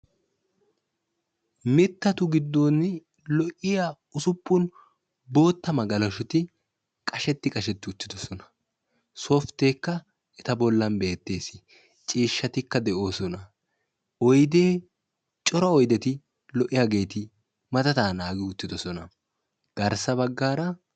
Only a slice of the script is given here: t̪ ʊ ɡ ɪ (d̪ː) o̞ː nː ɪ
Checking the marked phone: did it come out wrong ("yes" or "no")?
no